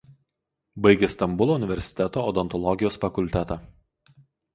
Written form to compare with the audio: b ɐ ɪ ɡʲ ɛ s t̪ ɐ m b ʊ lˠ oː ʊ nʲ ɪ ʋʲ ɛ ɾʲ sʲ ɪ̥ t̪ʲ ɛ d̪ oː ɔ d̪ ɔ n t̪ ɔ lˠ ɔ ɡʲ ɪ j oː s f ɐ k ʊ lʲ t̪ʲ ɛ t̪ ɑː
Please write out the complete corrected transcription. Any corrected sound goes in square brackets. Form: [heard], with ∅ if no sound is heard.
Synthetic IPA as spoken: b ɐ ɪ ɡʲ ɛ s t̪ ɐ m b ʊ lˠ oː ʊ nʲ ɪ ʋʲ ɛ ɾʲ sʲ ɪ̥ t̪ʲ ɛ [t̪] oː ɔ d̪ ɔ n t̪ ɔ lˠ ɔ ɡʲ ɪ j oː s f ɐ k ʊ lʲ t̪ʲ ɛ t̪ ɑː